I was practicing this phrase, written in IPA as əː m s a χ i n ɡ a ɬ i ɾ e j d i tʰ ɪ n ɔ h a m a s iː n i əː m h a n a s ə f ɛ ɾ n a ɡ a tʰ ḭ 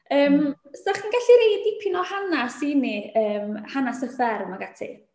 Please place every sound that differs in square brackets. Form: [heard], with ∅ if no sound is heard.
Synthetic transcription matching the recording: əː m s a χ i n ɡ a ɬ i ɾ e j d i [pʰ] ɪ n ɔ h a [n] a s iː n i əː m h a n a s ə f ɛ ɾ [m] a ɡ a tʰ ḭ